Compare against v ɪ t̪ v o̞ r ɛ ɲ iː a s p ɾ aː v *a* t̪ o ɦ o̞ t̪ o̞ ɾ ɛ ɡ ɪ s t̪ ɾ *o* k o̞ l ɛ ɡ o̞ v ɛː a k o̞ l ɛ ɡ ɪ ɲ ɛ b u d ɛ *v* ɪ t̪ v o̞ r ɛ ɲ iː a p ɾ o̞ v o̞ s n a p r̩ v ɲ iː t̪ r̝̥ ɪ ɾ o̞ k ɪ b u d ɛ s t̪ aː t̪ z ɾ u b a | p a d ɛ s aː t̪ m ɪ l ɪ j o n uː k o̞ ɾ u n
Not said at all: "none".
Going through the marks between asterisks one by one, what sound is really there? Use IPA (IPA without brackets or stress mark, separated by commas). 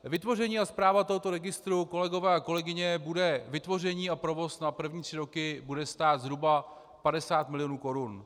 a, u, v